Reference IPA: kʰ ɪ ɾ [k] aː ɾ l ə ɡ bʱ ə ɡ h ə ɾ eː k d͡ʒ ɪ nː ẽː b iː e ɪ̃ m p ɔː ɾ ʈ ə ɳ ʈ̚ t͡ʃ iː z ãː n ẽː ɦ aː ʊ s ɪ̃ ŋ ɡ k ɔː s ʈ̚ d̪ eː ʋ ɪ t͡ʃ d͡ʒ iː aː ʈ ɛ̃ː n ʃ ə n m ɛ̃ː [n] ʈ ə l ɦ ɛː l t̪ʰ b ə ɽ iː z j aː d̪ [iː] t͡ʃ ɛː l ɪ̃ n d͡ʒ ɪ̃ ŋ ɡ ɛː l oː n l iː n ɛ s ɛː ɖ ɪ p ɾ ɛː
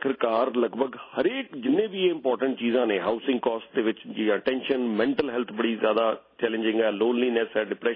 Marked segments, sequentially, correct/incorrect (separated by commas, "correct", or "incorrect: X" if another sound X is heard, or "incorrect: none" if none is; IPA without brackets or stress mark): correct, incorrect: ɳ, incorrect: aː